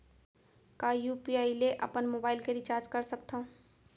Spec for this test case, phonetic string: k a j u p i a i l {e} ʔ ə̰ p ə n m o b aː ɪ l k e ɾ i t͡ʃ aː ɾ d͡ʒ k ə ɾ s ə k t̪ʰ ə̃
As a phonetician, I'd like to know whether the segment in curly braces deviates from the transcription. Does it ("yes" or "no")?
no